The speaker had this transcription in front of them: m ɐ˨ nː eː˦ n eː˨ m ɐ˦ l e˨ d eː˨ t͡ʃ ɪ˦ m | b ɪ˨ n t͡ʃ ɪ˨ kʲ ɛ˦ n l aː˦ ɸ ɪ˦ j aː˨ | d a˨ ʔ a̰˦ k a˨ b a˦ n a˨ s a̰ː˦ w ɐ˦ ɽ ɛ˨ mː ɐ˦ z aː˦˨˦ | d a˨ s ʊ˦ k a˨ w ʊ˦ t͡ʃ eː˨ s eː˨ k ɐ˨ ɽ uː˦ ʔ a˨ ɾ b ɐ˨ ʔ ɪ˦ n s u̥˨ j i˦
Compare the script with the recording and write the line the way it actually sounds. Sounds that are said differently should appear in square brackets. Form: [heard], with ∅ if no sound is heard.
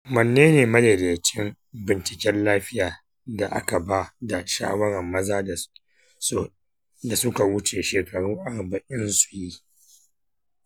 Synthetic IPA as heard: m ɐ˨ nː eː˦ n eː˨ m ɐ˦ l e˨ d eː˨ t͡ʃ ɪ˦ m | b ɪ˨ n t͡ʃ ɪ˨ kʲ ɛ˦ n l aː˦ ɸ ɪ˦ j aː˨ | d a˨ ʔ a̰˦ k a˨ b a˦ [d] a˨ [ʃ] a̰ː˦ w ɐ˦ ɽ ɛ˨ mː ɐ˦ z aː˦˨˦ | d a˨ s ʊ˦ k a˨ w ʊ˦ t͡ʃ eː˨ [ʃ] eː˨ k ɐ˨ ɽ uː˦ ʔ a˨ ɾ b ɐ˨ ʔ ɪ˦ n s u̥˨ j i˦